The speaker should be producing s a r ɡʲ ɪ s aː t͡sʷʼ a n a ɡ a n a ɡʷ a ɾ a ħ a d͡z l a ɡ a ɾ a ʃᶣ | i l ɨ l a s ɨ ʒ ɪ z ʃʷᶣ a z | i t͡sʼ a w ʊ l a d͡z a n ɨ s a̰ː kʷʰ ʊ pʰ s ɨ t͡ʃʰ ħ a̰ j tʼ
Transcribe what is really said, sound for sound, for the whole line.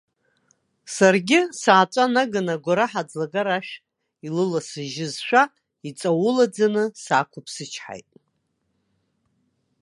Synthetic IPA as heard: s a r ɡʲ ɪ s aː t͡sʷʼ a n a ɡ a n a ɡʷ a ɾ a ħ a d͡z l a ɡ a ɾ a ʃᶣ | i l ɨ l a s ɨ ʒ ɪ z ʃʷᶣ a | i t͡sʼ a w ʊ l a d͡z a n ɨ s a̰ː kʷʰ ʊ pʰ s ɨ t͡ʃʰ ħ a̰ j tʼ